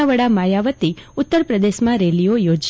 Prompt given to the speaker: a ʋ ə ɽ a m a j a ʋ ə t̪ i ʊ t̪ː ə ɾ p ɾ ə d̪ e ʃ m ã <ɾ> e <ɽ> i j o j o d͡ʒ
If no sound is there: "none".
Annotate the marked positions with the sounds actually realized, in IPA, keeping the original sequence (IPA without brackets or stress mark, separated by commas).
ɾ, l